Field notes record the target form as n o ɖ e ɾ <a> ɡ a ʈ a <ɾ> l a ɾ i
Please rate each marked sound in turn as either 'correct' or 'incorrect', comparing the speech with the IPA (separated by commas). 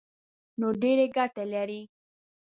incorrect, incorrect